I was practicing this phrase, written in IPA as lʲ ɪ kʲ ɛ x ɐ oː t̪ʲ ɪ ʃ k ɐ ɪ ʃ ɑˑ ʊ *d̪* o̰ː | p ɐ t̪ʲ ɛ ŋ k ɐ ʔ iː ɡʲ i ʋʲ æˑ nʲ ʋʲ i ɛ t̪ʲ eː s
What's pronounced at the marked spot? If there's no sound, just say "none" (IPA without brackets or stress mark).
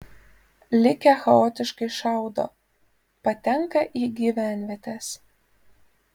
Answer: d̪